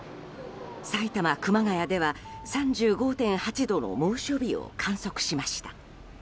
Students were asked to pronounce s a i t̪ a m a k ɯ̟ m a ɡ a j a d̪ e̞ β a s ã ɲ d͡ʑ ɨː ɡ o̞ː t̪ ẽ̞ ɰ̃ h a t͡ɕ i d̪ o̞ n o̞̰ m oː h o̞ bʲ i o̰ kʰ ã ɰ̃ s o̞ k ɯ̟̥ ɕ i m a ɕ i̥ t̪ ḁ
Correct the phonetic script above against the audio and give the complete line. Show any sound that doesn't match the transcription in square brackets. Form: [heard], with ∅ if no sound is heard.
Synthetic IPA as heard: s a i t̪ a m a k ɯ̟ m a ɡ a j a d̪ e̞ β a s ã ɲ d͡ʑ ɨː ɡ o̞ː t̪ ẽ̞ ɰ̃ h a t͡ɕ i d̪ o̞ n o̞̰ m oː [ɕ] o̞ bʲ i o̰ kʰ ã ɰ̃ s o̞ k ɯ̟̥ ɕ i m a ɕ i̥ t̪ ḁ